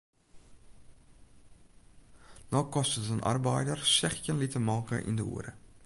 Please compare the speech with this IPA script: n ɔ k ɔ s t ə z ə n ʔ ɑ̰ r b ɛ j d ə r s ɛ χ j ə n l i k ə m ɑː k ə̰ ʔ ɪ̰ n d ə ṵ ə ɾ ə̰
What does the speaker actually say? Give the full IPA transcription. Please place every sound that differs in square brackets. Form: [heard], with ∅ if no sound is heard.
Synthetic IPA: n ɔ k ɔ s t ə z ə n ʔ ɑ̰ r b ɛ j d ə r s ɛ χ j ə n l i [t] ə m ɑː k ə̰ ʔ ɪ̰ n d ə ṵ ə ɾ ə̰